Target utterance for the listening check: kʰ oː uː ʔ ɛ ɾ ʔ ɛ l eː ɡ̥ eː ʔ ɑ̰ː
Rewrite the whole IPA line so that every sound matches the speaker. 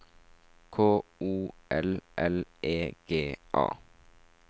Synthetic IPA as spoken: kʰ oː uː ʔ ɛ l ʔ ɛ l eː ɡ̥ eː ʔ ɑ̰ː